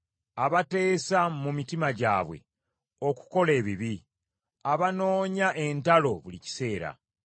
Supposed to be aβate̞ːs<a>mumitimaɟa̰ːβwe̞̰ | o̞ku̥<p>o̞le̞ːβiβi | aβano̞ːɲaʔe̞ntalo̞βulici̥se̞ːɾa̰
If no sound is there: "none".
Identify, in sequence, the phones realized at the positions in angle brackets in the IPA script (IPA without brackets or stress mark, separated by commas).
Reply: a, k